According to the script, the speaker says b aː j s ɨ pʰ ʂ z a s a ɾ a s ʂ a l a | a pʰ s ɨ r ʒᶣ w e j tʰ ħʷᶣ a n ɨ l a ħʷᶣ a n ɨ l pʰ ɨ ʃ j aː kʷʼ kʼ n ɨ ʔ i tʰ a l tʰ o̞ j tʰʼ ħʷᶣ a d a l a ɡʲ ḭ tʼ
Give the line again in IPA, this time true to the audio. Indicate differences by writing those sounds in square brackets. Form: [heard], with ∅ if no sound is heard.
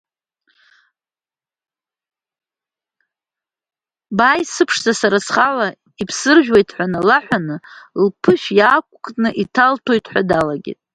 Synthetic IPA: b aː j s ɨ pʰ ʂ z a s a ɾ a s [χ] a l a | [i] pʰ s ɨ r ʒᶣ w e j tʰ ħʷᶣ a n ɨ l a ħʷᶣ a n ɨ l pʰ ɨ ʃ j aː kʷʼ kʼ n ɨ ʔ i tʰ a l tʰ o̞ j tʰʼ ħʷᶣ a d a l a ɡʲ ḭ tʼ